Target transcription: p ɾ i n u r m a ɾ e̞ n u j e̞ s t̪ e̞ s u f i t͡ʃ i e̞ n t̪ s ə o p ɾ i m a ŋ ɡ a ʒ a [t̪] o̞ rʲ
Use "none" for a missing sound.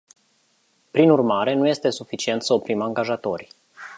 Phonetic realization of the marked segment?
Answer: t̪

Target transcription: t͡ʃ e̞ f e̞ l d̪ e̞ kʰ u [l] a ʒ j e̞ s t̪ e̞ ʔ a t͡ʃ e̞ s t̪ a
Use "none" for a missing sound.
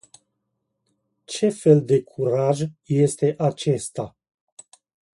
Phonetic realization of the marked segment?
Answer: ɾ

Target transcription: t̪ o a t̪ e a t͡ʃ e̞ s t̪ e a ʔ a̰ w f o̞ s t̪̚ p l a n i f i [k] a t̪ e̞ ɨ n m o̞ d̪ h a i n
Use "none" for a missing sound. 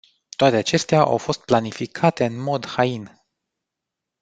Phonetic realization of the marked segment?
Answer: kʰ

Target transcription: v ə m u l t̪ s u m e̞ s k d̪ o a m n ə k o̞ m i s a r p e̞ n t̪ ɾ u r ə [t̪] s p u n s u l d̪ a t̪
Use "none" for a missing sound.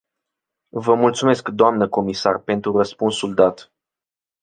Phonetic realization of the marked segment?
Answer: none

